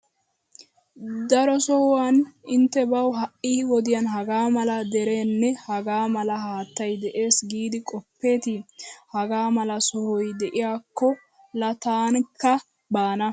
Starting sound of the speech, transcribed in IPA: d̪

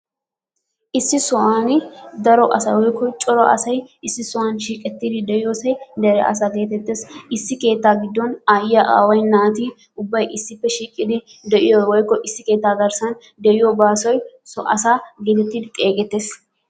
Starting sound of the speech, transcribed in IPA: ʔ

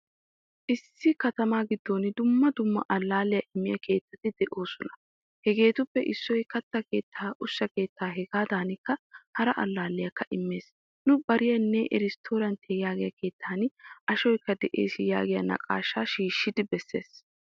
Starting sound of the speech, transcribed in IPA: ʔ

